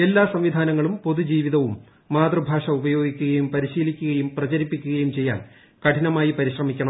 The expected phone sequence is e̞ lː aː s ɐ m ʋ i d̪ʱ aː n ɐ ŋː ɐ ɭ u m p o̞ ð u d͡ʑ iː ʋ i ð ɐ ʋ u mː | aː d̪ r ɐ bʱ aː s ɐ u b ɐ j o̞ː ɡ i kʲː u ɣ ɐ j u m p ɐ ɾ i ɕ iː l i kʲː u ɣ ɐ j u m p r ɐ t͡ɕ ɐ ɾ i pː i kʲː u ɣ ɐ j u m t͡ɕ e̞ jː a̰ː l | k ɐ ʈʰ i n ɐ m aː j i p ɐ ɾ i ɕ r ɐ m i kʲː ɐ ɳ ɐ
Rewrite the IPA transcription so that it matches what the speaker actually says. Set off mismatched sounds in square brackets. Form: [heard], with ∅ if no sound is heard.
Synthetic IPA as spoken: e̞ lː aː s ɐ m ʋ i d̪ʱ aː n ɐ ŋː ɐ ɭ u m p o̞ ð u d͡ʑ iː ʋ i ð ɐ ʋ u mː | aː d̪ r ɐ bʱ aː [ʂ] ɐ u b ɐ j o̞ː ɡ i kʲː u ɣ ɐ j u m p ɐ ɾ i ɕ iː l i kʲː u ɣ ɐ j u m p r ɐ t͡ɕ ɐ ɾ i pː i kʲː u ɣ ɐ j u m t͡ɕ e̞ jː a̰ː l | k ɐ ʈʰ i n ɐ m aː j i p ɐ ɾ i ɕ r ɐ m i kʲː ɐ ɳ ɐ